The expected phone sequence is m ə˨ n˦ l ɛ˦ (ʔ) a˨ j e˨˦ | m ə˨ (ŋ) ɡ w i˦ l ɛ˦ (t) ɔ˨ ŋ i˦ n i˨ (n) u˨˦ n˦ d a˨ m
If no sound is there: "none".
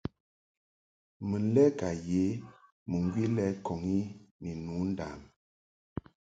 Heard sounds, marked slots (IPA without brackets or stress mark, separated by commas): k, ŋ, k, n